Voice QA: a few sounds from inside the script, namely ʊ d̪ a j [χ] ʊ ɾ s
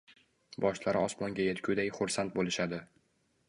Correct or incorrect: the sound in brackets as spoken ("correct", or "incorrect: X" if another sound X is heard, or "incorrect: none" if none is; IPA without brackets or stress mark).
correct